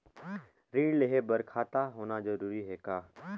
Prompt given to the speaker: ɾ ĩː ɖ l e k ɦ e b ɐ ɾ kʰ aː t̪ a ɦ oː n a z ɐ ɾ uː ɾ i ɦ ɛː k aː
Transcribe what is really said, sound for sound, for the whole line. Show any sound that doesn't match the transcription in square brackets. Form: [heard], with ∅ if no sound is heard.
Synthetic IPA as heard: ɾ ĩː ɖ l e [∅] ɦ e b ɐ ɾ kʰ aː t̪ a ɦ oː n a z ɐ ɾ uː ɾ i ɦ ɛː k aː